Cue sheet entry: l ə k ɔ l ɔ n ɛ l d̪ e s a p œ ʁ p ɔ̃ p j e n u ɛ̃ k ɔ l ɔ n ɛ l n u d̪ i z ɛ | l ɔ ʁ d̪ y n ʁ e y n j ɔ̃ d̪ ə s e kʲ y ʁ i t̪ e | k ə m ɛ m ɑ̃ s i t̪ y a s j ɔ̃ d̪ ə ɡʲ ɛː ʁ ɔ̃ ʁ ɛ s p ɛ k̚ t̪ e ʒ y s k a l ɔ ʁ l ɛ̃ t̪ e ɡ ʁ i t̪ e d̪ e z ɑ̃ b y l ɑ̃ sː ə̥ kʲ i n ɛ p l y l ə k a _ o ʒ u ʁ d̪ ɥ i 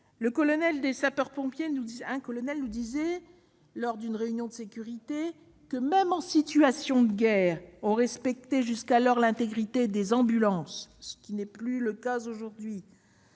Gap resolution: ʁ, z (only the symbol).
z